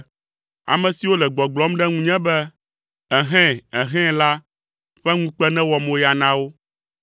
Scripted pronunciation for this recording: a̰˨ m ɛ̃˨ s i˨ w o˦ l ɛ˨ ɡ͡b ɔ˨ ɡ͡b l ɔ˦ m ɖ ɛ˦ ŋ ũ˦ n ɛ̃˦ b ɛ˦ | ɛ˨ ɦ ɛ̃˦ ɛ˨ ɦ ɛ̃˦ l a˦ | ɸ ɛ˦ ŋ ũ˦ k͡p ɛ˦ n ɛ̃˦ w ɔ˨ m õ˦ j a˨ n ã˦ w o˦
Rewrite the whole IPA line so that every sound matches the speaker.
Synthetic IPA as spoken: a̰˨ m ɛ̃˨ s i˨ w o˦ l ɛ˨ ɡ͡b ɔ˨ ɡ͡b l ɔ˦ m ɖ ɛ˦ ŋ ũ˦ ɲ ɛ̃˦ b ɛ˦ | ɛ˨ ɦ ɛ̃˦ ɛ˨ ɦ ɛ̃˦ l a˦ | ɸ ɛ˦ ŋ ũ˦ k͡p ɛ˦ n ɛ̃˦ w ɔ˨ m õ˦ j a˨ n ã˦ w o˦